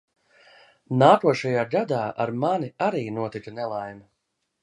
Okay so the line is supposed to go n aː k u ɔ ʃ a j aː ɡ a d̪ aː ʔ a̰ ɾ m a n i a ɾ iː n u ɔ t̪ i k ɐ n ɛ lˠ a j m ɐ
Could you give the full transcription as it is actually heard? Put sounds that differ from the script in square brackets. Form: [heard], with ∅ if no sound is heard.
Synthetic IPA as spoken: n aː k u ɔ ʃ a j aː ɡ a d̪ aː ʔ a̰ ɾ m a n i a ɾ iː n u ɔ t̪ i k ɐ n ɛ lˠ a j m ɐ